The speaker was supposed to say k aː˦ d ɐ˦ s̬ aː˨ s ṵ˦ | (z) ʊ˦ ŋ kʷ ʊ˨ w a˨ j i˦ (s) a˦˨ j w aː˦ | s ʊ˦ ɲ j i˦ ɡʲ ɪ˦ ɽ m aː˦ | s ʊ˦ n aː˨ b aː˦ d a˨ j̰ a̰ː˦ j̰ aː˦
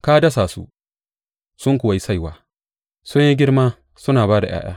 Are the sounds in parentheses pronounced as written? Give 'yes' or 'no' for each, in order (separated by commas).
no, yes